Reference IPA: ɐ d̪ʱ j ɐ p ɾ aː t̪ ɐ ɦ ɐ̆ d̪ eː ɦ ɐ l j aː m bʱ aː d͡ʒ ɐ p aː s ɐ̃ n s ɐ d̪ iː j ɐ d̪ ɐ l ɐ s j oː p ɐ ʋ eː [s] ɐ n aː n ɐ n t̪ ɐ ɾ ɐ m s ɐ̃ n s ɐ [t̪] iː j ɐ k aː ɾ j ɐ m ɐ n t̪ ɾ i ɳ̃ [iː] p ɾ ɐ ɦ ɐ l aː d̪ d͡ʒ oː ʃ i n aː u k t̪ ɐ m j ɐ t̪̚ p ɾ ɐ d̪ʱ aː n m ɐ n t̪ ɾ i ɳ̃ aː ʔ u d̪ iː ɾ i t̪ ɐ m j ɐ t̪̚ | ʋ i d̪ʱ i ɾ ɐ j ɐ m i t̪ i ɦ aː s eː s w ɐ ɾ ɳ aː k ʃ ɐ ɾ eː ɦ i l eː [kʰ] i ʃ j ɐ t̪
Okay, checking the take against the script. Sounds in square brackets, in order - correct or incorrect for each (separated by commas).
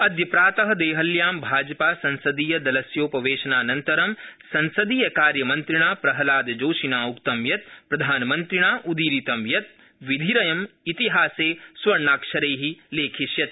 incorrect, incorrect, incorrect, correct